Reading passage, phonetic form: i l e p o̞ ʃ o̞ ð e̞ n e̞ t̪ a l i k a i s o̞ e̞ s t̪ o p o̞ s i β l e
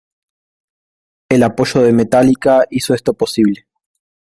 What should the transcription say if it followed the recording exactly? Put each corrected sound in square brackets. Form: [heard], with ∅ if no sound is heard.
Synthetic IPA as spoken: [e] l [a] p o̞ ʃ o̞ ð e̞ [m] e̞ t̪ a l i k a i s o̞ e̞ s t̪ o p o̞ s i β l e